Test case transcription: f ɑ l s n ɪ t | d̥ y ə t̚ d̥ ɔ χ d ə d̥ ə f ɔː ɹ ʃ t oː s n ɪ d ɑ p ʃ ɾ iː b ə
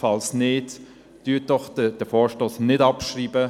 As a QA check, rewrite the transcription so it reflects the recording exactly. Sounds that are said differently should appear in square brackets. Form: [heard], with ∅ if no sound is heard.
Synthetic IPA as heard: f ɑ l s n ɪ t | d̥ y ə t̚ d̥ ɔ χ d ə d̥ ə f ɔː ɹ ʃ t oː s n ɪ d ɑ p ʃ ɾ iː b ə